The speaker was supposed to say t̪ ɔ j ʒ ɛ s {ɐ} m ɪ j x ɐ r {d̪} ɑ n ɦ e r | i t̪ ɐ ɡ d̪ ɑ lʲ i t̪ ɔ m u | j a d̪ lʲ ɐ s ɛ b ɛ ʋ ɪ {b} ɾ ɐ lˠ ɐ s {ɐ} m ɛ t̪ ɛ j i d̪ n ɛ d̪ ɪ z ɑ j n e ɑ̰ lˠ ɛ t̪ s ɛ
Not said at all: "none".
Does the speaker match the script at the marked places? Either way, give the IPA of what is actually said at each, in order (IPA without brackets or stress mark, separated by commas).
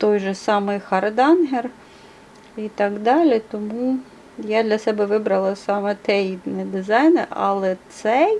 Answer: ɑ, d̪, b, ɑ